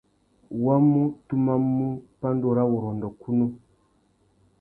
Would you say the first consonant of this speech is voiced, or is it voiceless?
voiced